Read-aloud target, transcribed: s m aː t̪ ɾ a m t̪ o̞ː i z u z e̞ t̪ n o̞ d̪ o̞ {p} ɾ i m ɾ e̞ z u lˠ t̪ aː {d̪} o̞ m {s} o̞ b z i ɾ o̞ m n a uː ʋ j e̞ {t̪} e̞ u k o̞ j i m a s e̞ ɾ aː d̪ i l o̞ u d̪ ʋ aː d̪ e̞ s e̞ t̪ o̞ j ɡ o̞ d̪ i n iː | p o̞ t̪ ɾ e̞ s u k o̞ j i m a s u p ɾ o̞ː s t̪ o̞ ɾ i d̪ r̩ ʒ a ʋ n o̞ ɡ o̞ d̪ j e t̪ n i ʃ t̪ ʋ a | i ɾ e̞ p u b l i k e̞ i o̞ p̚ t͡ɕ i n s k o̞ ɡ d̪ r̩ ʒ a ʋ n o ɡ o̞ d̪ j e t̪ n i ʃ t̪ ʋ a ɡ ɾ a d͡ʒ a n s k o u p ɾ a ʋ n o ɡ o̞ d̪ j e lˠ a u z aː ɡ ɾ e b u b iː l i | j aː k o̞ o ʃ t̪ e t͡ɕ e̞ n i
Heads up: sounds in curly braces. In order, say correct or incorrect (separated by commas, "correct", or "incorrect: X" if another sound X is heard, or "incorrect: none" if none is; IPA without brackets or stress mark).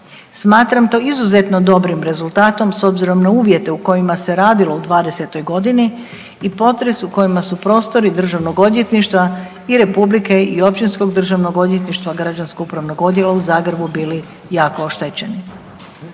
incorrect: b, incorrect: t̪, correct, correct